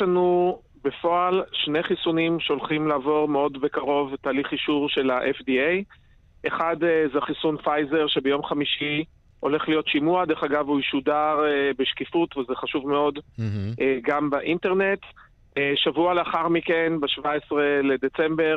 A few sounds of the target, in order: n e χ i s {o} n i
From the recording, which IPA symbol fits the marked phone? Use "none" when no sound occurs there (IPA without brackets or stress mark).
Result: u